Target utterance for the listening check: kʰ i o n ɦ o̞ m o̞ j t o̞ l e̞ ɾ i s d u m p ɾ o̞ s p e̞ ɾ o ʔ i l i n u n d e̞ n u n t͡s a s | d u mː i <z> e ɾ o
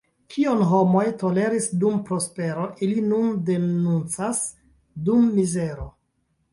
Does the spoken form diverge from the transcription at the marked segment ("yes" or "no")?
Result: no